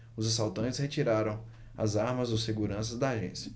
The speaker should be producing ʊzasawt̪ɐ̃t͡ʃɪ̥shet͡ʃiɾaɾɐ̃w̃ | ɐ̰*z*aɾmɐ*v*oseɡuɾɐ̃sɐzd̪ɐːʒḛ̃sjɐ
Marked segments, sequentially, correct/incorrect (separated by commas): correct, incorrect